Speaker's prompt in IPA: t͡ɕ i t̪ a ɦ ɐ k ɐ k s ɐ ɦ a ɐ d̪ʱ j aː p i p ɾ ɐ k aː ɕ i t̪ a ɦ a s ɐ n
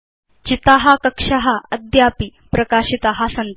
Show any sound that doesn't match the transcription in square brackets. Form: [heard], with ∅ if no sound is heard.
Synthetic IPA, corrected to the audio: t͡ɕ i t̪ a ɦ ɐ k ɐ k [ʂ] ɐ ɦ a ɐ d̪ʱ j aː p i p ɾ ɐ k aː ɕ i t̪ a ɦ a s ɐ n

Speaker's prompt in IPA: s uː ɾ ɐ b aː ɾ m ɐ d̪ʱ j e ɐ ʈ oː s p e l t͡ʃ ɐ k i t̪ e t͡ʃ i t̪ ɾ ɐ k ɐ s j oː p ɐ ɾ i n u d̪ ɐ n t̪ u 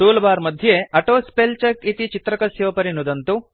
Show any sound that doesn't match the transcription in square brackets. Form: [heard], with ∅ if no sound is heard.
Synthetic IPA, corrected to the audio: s uː [l] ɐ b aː ɾ m ɐ d̪ʱ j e ɐ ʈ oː s p e l t͡ʃ ɐ k i t̪ [i] t͡ʃ i t̪ ɾ ɐ k ɐ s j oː p ɐ ɾ i n u d̪ ɐ n t̪ u

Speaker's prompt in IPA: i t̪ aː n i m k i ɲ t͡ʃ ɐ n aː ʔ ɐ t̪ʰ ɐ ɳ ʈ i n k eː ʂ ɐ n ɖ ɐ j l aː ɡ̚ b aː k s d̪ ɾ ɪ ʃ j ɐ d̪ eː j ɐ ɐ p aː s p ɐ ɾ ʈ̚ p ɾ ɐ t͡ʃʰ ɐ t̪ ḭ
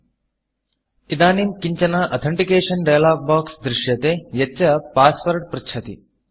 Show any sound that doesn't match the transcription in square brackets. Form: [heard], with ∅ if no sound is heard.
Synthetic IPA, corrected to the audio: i [d̪] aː n i m k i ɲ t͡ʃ ɐ n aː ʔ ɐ t̪ʰ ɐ ɳ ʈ i [∅] k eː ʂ ɐ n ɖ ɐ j l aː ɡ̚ b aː k s d̪ ɾ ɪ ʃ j ɐ [t̪] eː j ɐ ɐ p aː s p ɐ ɾ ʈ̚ p ɾ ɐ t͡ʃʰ ɐ t̪ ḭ

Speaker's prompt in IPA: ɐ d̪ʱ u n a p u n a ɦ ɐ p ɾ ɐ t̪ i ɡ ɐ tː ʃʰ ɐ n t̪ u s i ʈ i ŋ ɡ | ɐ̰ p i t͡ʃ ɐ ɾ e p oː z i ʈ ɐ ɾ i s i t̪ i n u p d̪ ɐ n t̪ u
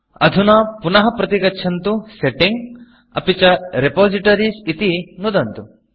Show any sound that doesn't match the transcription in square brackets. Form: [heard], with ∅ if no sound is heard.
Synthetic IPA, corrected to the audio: ɐ d̪ʱ u n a p u n [ɐ] ɦ ɐ p ɾ ɐ t̪ i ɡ ɐ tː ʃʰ ɐ n t̪ u s [e] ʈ i ŋ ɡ | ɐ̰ p i t͡ʃ ɐ ɾ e p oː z i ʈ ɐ ɾ i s i t̪ i n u [∅] d̪ ɐ n t̪ u

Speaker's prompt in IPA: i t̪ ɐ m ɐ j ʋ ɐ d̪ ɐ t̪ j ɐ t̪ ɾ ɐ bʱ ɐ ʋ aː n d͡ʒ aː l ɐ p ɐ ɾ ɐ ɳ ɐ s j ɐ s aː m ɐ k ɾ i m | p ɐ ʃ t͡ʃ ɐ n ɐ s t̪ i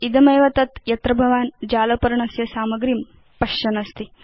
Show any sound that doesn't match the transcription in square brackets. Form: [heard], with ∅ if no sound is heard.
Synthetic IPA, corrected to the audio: i [d̪] ɐ m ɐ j ʋ ɐ [t̪] ɐ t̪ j ɐ t̪ ɾ ɐ bʱ ɐ ʋ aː n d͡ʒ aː l ɐ p ɐ ɾ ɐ ɳ ɐ s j ɐ s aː m ɐ [ɡ] ɾ i m | p ɐ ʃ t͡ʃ ɐ n ɐ s t̪ i

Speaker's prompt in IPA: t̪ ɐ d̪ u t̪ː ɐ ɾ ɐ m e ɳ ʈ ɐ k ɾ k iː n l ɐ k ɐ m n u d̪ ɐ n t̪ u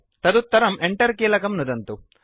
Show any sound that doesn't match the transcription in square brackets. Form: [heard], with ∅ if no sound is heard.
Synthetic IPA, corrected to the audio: t̪ ɐ d̪ u t̪ː ɐ ɾ ɐ m e ɳ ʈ ɐ [∅] ɾ k iː [∅] l ɐ k ɐ m n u d̪ ɐ n t̪ u

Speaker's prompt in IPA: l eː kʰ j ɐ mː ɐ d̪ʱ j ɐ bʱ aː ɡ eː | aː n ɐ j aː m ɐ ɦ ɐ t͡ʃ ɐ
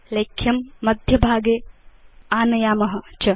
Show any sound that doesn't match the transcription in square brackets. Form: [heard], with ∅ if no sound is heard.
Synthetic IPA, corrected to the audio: l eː kʰ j ɐ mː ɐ d̪ʱ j ɐ bʱ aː ɡ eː | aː n ɐ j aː m ɐ ɦ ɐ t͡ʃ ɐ

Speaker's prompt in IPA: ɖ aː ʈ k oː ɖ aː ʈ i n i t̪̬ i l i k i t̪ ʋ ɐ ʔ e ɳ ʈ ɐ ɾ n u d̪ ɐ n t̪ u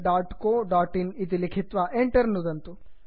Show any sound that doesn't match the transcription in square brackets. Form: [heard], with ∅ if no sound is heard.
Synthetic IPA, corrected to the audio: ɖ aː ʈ k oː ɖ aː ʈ i n i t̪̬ i l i [kʰ] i t̪ ʋ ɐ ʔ e ɳ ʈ ɐ ɾ n u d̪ ɐ n t̪ u

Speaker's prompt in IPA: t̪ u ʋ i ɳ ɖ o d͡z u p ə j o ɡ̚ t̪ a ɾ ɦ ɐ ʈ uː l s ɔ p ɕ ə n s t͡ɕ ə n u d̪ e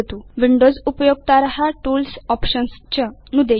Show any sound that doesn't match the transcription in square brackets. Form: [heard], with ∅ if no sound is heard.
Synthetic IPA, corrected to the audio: t̪ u ʋ i ɳ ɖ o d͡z u p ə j o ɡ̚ t̪ a ɾ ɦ [a] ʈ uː l s ɔ p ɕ ə n s t͡ɕ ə n u d̪ e

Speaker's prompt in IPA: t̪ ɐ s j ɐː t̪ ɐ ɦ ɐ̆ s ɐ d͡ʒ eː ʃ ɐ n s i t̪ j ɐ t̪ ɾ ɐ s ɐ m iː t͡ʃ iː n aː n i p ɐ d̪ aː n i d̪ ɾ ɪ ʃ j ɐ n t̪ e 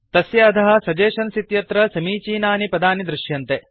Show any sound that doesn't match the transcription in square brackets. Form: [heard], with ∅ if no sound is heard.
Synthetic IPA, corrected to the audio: t̪ ɐ s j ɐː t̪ ɐ ɦ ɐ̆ s ɐ d͡ʒ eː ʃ ɐ n s i t̪ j ɐ t̪ ɾ ɐ s ɐ m iː t͡ʃ iː n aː n i p ɐ d̪ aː n i d̪ ɾ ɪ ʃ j ɐ n t̪ e

